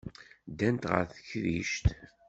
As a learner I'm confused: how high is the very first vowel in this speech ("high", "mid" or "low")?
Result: low